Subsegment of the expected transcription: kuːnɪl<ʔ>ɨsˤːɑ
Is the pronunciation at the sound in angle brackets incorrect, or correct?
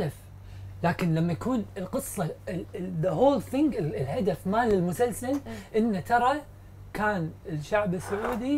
incorrect